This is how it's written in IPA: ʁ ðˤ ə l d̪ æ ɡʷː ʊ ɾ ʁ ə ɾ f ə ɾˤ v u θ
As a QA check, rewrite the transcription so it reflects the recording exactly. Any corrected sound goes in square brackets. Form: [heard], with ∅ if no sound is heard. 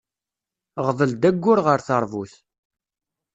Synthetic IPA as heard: ʁ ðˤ ə l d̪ æ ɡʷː ʊ ɾ ʁ ə ɾ [θ] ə ɾˤ v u θ